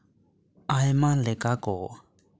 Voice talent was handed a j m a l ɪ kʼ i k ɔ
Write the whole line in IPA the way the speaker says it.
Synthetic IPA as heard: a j m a l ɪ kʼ a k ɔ